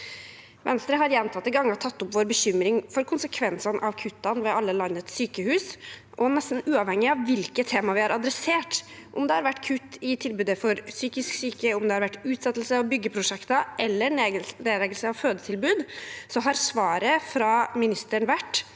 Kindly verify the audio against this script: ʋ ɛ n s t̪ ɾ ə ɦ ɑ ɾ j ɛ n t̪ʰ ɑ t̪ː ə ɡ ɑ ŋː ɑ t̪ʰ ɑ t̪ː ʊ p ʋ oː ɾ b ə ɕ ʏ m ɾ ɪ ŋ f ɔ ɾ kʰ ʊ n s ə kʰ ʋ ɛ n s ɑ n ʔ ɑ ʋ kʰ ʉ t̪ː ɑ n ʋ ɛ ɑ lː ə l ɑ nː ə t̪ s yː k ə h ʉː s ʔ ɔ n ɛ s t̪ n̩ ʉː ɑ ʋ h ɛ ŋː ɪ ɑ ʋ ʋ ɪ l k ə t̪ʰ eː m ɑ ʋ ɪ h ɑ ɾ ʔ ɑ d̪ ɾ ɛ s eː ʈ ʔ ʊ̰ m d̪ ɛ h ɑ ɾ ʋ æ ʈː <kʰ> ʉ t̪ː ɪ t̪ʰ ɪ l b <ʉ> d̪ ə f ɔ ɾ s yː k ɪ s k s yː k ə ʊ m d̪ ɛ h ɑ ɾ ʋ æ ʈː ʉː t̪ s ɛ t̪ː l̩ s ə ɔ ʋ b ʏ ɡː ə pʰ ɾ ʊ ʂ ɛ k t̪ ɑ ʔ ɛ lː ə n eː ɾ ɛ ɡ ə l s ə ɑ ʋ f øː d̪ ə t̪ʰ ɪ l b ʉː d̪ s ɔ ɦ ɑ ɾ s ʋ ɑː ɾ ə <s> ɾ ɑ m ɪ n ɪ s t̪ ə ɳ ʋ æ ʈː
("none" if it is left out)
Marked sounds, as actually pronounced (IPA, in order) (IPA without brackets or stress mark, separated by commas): kʰ, ʉː, f